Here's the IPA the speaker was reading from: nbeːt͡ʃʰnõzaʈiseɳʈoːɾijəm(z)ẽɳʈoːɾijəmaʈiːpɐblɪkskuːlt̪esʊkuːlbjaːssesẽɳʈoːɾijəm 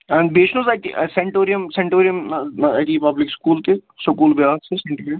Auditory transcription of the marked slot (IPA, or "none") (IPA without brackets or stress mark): s